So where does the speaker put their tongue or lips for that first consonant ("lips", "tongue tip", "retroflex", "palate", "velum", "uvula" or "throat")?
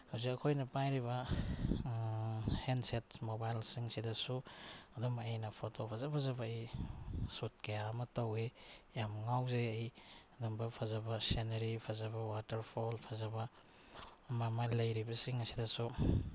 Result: throat